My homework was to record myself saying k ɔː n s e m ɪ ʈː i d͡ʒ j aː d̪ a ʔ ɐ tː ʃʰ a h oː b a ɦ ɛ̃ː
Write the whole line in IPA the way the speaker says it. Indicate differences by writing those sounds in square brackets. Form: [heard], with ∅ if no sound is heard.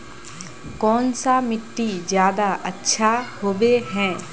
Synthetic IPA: k ɔː n s [a] m ɪ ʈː i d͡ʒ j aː d̪ a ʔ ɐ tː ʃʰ a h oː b [e] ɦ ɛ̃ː

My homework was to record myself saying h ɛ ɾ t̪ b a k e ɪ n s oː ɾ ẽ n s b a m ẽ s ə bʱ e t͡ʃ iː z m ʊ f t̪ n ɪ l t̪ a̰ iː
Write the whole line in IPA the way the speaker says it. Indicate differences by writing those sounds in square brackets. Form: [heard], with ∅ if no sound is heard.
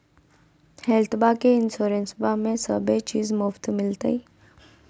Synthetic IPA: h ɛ [l] t̪ b a k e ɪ n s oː ɾ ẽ n s b a m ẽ s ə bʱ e t͡ʃ iː z m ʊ f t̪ [m] ɪ l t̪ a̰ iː

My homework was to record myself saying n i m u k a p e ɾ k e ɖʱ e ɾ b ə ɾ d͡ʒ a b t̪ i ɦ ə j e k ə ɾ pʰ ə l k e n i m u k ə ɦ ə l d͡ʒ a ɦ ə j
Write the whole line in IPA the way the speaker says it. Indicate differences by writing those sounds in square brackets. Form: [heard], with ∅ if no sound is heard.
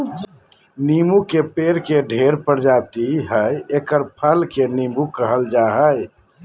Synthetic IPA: n i m u k [e] p e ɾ k e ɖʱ e ɾ [p] ə ɾ d͡ʒ a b t̪ i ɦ ə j e k ə ɾ pʰ ə l k e n i m u k ə ɦ ə l d͡ʒ a ɦ ə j

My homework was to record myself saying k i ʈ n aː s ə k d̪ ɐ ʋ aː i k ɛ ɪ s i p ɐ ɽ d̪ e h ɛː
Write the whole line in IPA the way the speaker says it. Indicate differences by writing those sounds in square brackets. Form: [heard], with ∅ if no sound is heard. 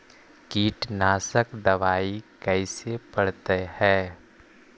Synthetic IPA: k [iː] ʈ n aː s ə k d̪ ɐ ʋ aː i k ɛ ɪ s [e] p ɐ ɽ [t̪] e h ɛː

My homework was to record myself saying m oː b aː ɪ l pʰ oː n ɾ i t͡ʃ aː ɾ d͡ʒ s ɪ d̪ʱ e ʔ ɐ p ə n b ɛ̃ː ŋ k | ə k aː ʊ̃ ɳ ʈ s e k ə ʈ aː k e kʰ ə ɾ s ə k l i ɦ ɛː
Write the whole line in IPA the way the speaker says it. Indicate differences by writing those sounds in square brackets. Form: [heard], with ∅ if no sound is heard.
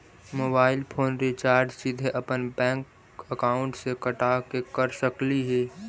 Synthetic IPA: m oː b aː ɪ l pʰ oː n ɾ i t͡ʃ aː ɾ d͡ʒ s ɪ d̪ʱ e ʔ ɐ p ə n b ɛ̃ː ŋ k | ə k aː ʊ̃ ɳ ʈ s e k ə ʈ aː k e [k] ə ɾ s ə k l i ɦ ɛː

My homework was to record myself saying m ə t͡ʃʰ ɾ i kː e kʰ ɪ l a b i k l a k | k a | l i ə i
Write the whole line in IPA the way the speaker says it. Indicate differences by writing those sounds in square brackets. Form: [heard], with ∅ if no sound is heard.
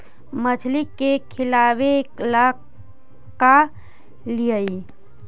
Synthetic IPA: m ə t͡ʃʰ [l] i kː e kʰ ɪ l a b [e] k l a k | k a | l i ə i

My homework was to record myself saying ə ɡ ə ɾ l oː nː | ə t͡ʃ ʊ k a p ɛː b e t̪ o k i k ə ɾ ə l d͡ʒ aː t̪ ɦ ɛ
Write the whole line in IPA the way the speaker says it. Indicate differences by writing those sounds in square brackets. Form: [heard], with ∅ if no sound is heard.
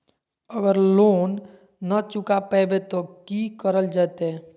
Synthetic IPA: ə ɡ ə ɾ l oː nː | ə t͡ʃ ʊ k a p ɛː b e t̪ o k i k ə ɾ ə l d͡ʒ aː t̪ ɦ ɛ

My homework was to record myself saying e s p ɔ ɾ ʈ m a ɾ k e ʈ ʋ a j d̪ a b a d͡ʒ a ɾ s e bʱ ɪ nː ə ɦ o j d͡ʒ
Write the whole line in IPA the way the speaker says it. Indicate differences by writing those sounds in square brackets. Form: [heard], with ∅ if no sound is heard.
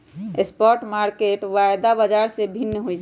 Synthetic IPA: e s p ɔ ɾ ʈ m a ɾ k e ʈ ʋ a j d̪ a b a d͡ʒ a ɾ s e bʱ [i] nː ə ɦ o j d͡ʒ

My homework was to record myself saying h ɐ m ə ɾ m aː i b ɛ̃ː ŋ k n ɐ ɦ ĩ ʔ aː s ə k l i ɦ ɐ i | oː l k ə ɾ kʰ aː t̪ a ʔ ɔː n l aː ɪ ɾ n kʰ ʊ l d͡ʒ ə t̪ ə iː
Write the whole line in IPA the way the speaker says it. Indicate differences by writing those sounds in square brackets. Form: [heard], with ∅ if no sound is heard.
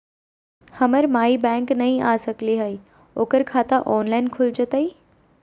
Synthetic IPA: h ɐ m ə ɾ m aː i b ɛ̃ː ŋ k n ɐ ɦ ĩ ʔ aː s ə k l i ɦ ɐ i | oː [∅] k ə ɾ kʰ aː t̪ a ʔ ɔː n l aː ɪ [∅] n kʰ ʊ l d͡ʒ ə t̪ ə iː

